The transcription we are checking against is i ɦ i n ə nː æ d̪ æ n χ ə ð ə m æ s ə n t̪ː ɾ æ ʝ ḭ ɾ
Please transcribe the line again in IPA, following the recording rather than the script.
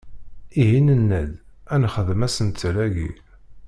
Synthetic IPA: i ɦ i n ə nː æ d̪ æ n χ ə ð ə m æ s ə n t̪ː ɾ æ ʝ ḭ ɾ